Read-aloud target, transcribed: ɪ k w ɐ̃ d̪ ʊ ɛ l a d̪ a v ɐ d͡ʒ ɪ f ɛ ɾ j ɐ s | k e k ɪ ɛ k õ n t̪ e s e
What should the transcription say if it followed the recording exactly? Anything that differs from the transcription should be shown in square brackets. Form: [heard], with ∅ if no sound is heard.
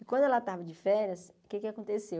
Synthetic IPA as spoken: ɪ k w ɐ̃ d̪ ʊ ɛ l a [t̪] a v ɐ d͡ʒ ɪ f ɛ ɾ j ɐ s | k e k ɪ [a] k õ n t̪ e s e